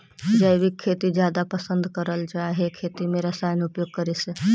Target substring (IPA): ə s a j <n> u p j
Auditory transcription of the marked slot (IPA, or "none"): n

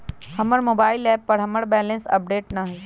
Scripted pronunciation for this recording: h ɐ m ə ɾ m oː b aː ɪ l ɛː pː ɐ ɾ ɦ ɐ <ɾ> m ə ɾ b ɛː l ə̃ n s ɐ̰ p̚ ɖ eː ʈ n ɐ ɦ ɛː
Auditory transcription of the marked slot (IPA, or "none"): none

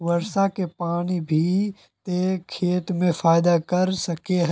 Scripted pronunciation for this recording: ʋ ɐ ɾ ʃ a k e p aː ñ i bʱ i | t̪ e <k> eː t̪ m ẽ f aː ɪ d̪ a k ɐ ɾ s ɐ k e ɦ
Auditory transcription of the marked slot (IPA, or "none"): kʰ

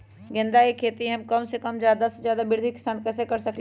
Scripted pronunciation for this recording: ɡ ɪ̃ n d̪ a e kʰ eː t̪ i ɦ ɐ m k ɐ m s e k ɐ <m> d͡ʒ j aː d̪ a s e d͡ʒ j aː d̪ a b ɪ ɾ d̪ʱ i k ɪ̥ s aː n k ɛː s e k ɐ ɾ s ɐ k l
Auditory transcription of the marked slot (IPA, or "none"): m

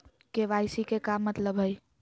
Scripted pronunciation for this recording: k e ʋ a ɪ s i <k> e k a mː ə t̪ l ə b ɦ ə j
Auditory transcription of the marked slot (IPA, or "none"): k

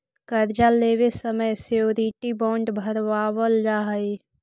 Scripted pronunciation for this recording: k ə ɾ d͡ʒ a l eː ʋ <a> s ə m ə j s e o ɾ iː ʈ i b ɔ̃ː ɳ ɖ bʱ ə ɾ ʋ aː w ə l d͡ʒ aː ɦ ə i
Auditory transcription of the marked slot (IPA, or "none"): e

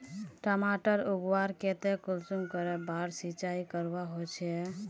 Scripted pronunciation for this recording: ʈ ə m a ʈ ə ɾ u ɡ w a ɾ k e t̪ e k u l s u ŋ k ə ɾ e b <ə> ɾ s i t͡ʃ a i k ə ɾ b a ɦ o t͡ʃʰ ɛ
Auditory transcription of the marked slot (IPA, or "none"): a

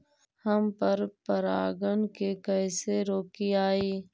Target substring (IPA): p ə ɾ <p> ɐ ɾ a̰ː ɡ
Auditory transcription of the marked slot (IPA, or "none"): p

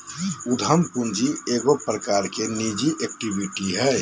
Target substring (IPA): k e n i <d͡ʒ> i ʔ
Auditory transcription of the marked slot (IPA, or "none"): d͡ʒ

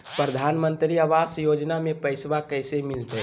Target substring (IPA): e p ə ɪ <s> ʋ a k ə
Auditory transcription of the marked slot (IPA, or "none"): s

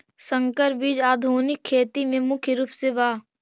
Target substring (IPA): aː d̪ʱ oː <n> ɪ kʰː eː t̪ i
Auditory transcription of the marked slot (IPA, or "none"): n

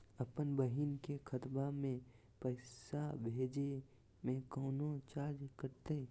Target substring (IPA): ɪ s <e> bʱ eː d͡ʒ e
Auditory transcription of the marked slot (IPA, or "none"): a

